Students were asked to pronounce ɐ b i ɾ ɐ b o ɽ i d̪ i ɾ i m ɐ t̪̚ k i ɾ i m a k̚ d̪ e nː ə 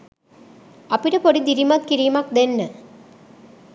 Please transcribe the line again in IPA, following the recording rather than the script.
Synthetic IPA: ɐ p i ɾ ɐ p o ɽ i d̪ i ɾ i m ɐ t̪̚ k i ɾ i m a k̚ d̪ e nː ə